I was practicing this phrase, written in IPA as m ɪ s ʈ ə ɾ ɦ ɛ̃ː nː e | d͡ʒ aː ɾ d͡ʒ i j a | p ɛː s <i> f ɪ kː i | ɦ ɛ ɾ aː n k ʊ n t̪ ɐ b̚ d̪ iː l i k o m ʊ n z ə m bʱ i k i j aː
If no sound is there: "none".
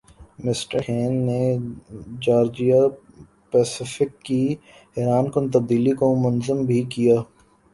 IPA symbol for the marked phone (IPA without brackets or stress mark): ɪ